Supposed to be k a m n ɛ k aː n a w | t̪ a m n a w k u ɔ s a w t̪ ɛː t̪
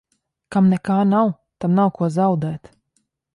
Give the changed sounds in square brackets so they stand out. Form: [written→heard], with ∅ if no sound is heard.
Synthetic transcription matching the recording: k a m n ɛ k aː n a w | t̪ a m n a w k u ɔ [s→z] a w [t̪→d̪] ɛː t̪